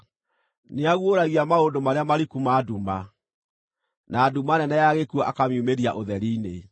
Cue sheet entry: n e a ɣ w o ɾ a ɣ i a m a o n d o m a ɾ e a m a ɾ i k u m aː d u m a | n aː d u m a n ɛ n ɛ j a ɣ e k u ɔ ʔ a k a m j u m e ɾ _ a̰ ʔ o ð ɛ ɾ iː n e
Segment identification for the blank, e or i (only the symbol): i